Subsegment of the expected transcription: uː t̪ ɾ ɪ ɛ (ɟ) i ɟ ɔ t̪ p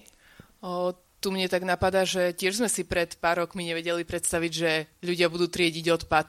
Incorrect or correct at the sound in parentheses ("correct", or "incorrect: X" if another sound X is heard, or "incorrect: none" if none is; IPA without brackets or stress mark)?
correct